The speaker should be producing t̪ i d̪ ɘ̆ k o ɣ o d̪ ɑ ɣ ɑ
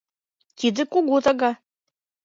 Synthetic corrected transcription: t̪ i d̪ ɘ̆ k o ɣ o t̪ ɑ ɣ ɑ